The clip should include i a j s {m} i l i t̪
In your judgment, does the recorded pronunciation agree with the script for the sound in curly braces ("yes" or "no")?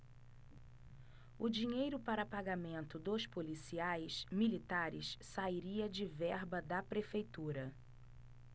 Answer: yes